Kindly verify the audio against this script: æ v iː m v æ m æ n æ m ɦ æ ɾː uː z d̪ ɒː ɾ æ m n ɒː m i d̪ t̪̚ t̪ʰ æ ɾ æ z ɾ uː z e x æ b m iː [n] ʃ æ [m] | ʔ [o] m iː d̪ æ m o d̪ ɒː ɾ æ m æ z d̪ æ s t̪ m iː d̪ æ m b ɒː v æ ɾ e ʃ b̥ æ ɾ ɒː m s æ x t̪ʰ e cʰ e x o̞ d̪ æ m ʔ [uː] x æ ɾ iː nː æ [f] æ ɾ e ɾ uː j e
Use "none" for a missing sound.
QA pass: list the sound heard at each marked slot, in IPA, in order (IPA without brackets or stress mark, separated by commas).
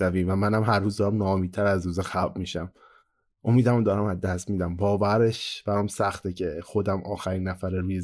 none, m, o, ɒː, f